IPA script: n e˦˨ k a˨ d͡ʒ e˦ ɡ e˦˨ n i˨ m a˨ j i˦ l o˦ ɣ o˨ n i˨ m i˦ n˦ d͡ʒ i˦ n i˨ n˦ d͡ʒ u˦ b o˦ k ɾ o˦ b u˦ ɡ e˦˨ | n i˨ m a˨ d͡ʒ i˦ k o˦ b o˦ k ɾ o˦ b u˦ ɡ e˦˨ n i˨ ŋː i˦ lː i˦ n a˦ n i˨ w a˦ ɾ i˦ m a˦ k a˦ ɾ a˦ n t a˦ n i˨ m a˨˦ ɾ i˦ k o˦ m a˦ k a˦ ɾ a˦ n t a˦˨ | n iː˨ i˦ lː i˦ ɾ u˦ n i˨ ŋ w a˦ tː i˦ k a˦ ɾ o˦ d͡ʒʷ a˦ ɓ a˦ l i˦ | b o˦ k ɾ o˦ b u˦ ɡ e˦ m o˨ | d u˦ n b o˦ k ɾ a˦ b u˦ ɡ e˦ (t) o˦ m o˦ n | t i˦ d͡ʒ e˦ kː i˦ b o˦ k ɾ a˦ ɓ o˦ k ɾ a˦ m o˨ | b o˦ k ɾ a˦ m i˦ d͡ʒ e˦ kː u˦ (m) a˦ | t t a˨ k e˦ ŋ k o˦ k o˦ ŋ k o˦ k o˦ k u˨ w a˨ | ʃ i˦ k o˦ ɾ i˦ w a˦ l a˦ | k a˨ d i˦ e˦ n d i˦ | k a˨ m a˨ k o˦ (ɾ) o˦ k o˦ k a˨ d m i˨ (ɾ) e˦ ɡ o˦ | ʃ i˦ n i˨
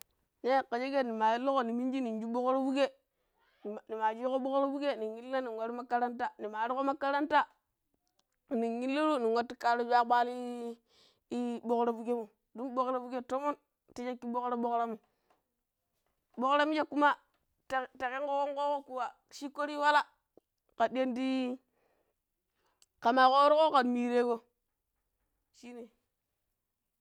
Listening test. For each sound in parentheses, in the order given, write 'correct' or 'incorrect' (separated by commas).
correct, correct, correct, correct